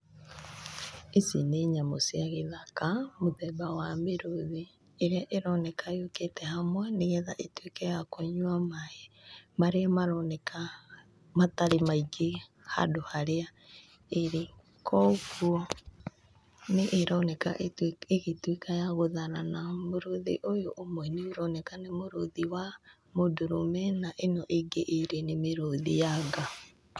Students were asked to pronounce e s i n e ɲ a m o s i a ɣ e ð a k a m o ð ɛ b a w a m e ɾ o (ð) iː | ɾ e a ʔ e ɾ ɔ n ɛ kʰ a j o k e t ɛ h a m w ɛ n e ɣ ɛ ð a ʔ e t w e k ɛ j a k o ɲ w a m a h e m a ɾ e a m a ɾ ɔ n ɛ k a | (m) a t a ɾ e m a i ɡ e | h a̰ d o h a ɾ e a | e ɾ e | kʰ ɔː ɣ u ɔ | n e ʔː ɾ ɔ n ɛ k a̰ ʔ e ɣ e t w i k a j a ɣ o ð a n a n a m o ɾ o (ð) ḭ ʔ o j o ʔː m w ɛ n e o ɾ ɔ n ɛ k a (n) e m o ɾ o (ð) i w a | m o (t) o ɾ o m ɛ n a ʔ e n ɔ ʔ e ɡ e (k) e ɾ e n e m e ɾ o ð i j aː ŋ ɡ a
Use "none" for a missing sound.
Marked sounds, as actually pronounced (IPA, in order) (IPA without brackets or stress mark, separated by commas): ð, m, ð, n, ð, d, ʔ